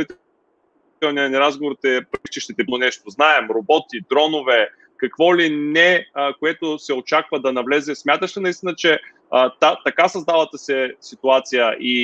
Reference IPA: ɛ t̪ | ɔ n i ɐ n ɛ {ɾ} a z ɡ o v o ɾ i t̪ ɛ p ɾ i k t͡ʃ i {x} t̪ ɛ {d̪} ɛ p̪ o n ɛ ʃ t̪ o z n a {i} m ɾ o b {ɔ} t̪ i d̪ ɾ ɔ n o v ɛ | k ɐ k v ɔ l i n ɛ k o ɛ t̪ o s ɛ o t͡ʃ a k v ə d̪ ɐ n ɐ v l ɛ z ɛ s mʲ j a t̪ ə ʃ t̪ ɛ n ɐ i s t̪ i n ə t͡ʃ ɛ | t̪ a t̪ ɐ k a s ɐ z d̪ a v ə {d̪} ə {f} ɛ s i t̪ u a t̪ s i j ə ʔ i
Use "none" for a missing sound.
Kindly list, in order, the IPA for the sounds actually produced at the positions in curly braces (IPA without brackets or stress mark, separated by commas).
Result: ɾ, ʃ, t̪, ɛ, ɔ, t̪, s